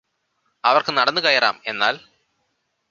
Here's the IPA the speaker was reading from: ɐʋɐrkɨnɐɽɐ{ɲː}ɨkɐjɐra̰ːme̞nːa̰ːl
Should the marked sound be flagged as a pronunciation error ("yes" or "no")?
yes